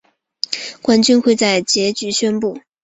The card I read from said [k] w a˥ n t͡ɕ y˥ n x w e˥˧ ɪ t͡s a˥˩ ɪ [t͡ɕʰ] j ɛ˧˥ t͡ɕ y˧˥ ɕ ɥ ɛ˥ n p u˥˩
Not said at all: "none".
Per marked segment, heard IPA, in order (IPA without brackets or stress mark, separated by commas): k, t͡ɕ